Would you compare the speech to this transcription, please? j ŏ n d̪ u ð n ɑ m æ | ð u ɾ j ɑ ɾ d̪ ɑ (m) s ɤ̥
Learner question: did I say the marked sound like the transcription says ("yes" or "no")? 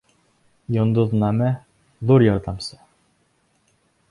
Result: yes